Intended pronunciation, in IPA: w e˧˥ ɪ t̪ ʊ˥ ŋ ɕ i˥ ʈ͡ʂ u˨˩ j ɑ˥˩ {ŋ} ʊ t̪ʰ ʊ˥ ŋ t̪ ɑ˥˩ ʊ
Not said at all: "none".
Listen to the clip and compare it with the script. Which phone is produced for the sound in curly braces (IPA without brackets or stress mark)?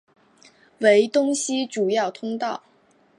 none